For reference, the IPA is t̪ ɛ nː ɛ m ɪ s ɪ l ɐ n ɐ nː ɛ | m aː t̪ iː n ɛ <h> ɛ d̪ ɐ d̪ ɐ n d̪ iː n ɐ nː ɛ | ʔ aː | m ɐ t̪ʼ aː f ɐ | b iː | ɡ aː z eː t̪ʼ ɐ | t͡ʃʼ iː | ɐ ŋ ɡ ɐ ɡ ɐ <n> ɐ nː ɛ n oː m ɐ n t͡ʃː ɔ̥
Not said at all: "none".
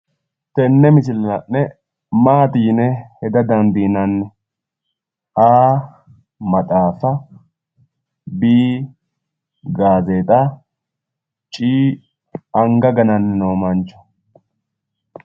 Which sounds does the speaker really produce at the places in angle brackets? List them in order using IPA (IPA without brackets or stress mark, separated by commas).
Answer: h, n